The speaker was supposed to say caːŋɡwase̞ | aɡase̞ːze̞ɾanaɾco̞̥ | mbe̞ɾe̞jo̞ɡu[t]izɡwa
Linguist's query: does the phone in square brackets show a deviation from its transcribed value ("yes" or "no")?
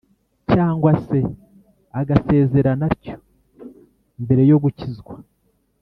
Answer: yes